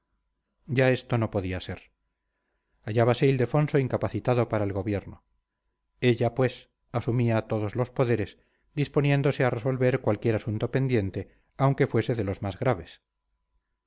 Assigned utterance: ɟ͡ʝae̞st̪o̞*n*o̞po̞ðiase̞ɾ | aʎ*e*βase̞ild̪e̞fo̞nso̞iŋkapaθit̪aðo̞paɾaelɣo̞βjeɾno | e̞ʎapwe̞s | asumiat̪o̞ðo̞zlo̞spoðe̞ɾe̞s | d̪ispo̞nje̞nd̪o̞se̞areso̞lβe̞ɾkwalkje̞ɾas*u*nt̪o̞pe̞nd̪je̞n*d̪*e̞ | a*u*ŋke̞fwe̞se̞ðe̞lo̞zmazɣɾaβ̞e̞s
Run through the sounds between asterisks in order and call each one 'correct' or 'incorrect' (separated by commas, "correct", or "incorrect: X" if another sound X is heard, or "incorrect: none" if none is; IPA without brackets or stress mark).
correct, incorrect: a, correct, incorrect: t̪, incorrect: w